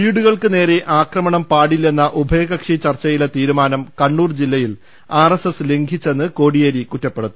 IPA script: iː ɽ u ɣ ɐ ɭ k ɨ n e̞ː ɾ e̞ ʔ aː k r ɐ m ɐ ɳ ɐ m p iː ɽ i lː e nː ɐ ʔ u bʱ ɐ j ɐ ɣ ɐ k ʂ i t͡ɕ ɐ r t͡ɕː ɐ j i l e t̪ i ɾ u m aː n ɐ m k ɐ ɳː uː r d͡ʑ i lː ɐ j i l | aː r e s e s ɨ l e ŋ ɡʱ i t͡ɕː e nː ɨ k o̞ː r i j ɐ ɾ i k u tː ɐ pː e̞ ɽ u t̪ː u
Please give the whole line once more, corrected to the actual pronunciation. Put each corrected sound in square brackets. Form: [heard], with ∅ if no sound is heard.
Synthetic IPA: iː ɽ u ɣ ɐ ɭ k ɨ n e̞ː ɾ e̞ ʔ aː k r ɐ m ɐ ɳ ɐ m p [aː] ɽ i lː e nː ɐ ʔ u bʱ ɐ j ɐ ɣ ɐ k ʂ i t͡ɕ ɐ r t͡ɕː ɐ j i l e t̪ [iː] ɾ u m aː n ɐ m k ɐ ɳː uː r d͡ʑ i lː ɐ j i l | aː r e s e s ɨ l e ŋ ɡʱ i t͡ɕː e nː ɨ k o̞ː [ɽ] i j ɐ ɾ i k u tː ɐ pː e̞ ɽ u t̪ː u